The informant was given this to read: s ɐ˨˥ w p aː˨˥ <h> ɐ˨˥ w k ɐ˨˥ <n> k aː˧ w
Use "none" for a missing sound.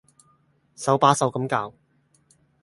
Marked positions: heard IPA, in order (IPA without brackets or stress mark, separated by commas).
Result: s, m